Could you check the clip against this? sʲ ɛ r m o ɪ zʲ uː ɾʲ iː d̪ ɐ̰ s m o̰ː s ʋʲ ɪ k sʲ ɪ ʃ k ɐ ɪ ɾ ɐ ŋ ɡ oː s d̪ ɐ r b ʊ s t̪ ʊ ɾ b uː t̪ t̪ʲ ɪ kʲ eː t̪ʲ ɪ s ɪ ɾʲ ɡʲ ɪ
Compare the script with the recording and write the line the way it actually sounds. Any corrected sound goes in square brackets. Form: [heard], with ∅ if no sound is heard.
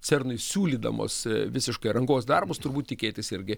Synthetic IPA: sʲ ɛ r [n] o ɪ [sʲ] uː [lʲ] iː d̪ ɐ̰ [∅] m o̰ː s ʋʲ ɪ [∅] sʲ ɪ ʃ k ɐ ɪ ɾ ɐ ŋ ɡ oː s d̪ ɐ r b ʊ s t̪ ʊ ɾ b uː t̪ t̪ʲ ɪ kʲ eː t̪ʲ ɪ s ɪ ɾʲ ɡʲ ɪ